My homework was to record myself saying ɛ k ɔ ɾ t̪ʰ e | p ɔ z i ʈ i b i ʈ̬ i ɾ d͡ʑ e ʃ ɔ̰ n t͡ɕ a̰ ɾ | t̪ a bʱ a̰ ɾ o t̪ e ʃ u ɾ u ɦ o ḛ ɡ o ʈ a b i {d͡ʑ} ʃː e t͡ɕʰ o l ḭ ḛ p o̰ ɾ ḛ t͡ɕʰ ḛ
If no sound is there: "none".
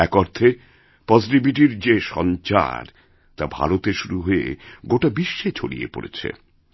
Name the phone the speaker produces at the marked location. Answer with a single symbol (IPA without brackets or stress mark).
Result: none